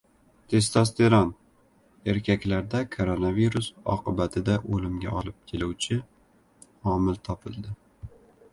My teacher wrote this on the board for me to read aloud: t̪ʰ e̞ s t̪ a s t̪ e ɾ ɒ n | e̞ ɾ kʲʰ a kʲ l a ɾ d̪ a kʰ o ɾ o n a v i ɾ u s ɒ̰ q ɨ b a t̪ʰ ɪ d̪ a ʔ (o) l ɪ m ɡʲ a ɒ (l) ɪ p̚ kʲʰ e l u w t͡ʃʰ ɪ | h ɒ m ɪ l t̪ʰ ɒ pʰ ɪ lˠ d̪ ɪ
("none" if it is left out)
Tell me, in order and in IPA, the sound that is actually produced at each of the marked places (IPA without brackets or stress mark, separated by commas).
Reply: o, l